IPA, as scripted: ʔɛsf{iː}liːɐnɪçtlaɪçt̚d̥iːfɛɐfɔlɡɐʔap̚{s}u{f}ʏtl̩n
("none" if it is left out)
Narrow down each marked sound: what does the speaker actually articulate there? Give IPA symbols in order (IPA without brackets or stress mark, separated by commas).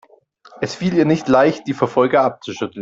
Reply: iː, t͡s, ʃ